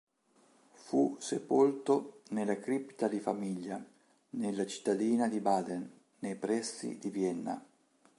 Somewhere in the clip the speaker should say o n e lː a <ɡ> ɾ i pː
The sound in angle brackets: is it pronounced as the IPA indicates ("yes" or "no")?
no